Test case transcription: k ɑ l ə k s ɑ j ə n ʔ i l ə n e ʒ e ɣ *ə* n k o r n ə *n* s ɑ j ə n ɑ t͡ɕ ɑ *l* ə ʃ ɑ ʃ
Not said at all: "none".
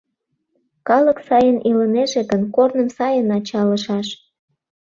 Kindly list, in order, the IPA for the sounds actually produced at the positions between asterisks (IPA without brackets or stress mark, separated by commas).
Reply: ə, m, l